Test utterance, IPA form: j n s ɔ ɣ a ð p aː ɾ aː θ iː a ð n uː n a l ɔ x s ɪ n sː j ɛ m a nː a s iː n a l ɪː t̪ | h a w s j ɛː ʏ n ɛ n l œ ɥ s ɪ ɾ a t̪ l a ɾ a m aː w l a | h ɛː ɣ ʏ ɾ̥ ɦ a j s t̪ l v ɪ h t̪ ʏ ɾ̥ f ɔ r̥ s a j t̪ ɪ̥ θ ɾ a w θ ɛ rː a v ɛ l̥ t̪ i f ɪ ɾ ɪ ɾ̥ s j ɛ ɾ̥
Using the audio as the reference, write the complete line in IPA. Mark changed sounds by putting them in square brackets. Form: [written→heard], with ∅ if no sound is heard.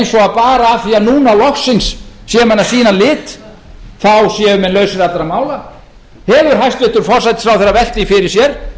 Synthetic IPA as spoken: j n s ɔ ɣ a ð p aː ɾ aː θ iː a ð n uː n a l ɔ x s ɪ n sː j ɛ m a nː a s iː n a l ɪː t̪ | [h→θ] a w s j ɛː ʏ [n→m] ɛ n l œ ɥ s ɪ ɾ a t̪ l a ɾ a m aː w l a | h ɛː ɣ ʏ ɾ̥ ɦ a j s t̪ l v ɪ h t̪ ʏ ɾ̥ f ɔ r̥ s a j t̪ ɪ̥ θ ɾ a w θ ɛ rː a v ɛ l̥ t̪ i f ɪ ɾ ɪ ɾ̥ s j ɛ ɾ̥